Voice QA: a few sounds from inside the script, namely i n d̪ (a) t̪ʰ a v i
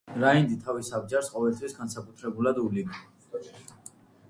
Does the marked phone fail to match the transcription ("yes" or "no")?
yes